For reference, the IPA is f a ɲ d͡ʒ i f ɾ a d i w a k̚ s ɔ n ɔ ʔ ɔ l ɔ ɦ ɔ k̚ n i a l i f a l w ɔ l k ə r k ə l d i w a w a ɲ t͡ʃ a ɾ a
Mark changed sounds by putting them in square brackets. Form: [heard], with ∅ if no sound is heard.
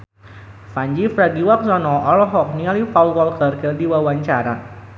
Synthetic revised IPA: f a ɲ d͡ʒ i f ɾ a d i w a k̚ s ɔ n ɔ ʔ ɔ l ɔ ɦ ɔ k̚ n i a l i f a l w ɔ l k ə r k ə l d i w a w a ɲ t͡ʃ a ɾ a